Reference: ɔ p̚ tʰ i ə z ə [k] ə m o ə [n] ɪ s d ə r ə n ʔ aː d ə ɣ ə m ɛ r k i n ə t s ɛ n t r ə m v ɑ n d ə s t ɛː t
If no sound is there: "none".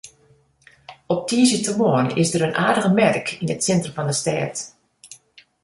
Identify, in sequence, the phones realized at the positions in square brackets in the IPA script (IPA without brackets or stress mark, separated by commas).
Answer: t, n